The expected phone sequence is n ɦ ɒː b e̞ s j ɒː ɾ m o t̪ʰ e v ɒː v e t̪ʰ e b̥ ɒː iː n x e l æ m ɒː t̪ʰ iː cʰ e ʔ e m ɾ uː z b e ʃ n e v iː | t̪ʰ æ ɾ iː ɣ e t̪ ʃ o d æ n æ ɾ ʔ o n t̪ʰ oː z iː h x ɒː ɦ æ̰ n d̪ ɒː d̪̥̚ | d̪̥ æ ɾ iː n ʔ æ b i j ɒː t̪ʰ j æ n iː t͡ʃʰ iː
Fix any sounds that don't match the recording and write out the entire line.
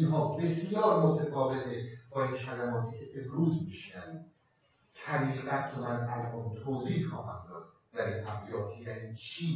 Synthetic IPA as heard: n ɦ ɒː b e̞ s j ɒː ɾ m o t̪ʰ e f ɒː v e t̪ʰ e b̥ ɒː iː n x æ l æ m ɒː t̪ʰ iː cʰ e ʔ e m ɾ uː z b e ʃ n æ v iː | t̪ʰ æ ɾ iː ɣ æ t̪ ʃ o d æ n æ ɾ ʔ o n t̪ʰ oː z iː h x ɒː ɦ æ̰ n d̪ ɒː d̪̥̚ | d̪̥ æ ɾ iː n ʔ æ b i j ɒː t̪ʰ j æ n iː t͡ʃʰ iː